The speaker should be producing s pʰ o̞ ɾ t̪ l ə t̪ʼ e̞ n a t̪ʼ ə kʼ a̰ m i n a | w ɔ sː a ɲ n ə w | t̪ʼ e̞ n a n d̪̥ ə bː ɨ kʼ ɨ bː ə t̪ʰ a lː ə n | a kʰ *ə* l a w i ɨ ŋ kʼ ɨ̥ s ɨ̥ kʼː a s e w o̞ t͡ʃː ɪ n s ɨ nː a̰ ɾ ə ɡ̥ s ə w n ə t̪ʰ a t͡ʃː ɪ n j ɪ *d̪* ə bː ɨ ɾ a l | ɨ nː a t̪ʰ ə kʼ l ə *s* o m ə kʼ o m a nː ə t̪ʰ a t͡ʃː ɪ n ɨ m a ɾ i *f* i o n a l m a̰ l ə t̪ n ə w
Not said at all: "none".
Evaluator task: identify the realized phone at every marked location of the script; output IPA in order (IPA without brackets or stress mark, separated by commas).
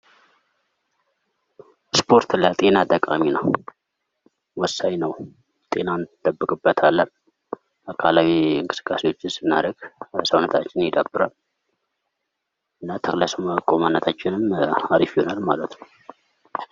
a, d̪, s, f